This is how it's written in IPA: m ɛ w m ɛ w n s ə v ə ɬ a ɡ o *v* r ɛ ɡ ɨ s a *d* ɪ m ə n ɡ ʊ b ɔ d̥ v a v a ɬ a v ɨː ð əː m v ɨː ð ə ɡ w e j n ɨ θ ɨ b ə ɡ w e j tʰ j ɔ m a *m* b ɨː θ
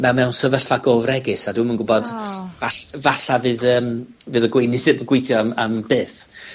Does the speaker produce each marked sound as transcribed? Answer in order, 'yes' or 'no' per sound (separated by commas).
yes, yes, yes